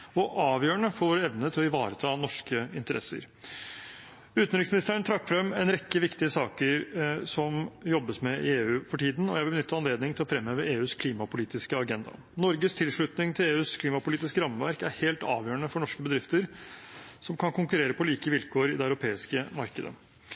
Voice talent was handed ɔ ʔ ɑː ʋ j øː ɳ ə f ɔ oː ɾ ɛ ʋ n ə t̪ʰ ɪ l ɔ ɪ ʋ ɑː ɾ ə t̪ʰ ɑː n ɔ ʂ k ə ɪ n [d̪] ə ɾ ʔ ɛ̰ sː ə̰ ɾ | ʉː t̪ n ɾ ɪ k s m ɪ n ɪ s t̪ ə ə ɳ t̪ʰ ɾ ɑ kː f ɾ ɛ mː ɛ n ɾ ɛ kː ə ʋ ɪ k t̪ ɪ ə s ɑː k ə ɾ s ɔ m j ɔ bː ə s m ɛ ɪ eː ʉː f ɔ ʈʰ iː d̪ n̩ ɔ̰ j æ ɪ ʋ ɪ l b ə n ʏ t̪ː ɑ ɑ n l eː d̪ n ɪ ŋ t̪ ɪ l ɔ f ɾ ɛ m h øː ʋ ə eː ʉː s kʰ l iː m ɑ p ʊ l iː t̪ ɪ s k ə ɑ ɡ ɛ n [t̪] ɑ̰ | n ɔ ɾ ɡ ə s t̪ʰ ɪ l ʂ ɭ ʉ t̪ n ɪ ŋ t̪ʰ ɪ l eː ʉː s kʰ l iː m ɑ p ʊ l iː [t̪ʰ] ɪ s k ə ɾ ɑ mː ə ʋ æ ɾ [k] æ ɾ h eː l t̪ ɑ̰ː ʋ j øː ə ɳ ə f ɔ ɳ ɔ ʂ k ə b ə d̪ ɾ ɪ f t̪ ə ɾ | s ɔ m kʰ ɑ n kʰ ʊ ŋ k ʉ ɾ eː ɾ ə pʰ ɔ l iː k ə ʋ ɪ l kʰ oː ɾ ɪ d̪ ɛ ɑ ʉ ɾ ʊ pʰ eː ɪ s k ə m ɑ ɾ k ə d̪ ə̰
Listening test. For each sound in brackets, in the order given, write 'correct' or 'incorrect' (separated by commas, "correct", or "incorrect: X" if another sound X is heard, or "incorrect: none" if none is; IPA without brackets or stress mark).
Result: incorrect: t̪, incorrect: d̪, incorrect: t̪, correct